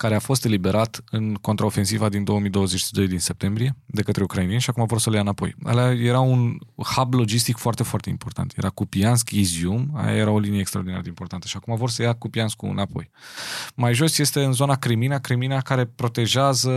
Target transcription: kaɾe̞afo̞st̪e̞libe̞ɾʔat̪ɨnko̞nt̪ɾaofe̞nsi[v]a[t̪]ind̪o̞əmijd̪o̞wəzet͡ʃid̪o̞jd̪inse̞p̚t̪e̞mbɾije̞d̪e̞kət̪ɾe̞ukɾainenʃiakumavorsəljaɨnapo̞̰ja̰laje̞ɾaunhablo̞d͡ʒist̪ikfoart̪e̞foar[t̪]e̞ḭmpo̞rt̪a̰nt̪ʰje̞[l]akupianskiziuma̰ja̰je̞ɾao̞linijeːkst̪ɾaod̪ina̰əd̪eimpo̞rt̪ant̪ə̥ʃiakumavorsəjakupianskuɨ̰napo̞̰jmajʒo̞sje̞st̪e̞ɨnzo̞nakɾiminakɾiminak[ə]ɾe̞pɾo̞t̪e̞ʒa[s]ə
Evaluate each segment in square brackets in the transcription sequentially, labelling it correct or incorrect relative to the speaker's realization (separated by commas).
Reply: correct, incorrect, correct, incorrect, incorrect, incorrect